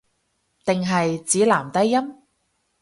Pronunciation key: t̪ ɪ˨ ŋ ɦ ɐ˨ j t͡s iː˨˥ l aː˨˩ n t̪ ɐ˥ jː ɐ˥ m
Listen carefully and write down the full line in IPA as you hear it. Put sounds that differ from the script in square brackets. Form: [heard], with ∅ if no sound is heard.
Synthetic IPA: t̪ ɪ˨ ŋ ɦ ɐ˨ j t͡s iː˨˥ l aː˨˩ [m] t̪ ɐ˥ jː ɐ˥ m